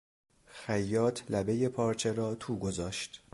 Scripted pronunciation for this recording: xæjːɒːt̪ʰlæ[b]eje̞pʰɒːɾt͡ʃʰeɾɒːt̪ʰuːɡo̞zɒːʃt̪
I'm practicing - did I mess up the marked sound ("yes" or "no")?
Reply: no